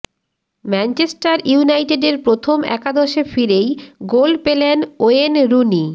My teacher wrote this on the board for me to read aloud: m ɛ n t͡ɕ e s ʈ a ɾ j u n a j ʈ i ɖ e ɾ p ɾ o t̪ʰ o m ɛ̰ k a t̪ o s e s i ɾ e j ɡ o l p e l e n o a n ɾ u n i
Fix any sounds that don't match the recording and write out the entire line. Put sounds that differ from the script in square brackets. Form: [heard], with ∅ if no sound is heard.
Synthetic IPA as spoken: m ɛ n t͡ɕ e s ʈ a ɾ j u n a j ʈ [e] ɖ e ɾ p ɾ o t̪ʰ o m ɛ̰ k a [d̪] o [ʃ] e [f] i ɾ e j ɡ o l p e l e n o [e] n ɾ u n i